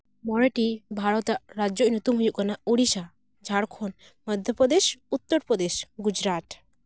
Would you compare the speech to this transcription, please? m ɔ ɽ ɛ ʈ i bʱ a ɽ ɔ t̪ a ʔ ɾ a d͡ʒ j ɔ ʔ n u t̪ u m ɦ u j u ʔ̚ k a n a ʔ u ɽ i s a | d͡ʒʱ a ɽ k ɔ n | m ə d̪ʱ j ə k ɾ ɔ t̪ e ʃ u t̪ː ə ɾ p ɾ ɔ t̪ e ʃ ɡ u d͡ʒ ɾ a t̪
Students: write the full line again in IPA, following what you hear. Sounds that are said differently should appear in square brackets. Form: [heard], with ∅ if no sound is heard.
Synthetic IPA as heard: m ɔ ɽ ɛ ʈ i bʱ a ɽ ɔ t̪ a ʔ ɾ a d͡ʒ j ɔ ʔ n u t̪ u m ɦ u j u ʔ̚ k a n a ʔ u ɽ i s a | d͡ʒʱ a ɽ [kʰ] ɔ n | m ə d̪ʱ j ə [p] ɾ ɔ [d̪] e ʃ u t̪ː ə ɾ p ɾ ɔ [d̪] e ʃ ɡ u d͡ʒ ɾ a t̪